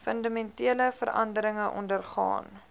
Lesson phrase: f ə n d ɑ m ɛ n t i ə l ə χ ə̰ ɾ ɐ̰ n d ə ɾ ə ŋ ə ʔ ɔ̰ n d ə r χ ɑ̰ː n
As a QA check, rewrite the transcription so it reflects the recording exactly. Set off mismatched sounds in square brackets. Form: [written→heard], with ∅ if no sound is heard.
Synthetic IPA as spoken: f ə n d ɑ m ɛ n t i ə l ə [χ→f] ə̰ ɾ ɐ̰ n d ə ɾ ə ŋ ə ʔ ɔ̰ n d ə r χ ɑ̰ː n